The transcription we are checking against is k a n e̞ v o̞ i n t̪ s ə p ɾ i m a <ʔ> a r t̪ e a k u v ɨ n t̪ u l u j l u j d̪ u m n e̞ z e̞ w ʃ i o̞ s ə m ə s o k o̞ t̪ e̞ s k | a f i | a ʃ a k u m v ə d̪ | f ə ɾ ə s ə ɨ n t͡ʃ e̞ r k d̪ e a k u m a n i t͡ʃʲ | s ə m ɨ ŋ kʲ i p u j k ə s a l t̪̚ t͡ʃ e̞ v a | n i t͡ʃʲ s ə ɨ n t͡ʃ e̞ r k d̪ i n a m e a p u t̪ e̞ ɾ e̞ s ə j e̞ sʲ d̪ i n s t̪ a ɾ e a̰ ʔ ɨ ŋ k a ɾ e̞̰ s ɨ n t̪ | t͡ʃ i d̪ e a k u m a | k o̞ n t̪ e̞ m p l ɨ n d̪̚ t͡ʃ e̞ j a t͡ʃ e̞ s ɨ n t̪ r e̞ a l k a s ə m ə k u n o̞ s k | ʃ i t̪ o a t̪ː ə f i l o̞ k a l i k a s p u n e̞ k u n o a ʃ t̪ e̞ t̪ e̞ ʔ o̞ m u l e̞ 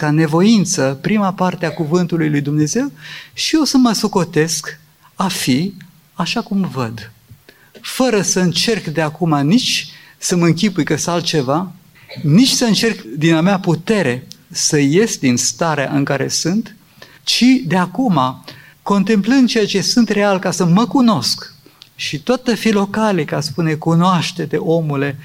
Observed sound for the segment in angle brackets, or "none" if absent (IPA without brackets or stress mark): p